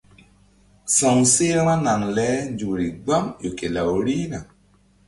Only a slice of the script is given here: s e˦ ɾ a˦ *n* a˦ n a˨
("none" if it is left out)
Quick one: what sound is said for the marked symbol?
m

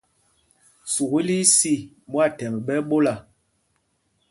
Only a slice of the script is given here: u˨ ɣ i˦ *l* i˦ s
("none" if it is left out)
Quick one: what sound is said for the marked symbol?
l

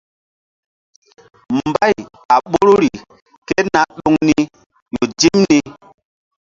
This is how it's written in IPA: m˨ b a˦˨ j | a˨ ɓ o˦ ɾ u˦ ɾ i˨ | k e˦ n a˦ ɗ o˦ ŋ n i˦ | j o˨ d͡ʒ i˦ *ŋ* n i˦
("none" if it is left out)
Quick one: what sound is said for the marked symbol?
m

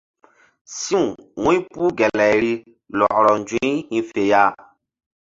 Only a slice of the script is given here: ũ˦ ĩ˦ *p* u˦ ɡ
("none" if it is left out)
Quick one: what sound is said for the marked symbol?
p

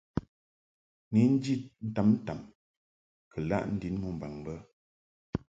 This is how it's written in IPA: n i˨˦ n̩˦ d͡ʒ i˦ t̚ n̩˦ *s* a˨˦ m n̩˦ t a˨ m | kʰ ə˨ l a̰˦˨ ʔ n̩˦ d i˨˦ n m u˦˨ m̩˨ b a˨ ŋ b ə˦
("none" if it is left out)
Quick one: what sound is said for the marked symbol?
t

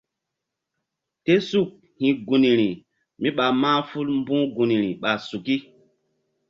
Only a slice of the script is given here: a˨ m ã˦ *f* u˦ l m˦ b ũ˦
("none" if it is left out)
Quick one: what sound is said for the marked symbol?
f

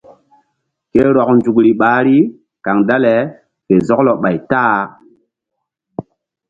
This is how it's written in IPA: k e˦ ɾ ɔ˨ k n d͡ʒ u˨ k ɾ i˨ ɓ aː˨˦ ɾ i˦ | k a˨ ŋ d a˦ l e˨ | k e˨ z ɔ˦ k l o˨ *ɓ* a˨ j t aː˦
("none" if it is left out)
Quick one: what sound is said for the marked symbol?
ɓ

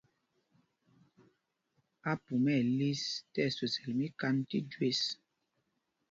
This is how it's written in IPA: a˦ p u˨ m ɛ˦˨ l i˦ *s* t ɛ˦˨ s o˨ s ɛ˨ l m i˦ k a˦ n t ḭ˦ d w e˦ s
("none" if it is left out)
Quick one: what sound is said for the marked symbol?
s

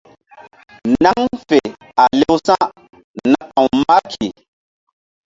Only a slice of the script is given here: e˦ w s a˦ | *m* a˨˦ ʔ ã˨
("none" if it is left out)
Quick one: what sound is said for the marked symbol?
n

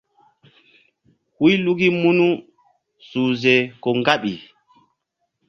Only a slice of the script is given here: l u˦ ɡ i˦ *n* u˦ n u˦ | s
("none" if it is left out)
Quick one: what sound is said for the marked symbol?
m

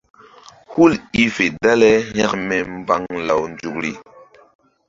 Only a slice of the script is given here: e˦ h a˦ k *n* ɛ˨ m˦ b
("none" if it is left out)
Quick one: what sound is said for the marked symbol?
m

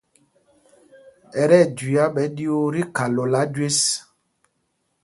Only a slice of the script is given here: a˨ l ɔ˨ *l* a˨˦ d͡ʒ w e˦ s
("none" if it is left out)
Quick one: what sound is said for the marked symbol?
l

